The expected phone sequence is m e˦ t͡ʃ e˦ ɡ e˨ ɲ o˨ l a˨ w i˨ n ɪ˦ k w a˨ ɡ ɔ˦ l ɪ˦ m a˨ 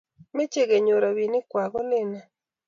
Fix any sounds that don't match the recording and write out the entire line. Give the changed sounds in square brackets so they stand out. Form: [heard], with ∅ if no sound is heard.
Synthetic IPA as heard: m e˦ t͡ʃ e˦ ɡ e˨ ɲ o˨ [ɾ] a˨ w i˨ n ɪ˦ k w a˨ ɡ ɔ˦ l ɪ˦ [n] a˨